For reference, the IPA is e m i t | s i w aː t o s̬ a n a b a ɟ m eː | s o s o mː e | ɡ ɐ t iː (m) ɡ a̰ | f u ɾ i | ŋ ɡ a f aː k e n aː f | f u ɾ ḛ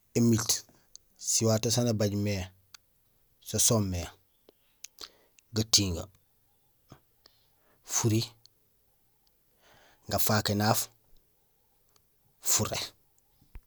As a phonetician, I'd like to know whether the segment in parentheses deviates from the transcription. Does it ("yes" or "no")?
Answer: yes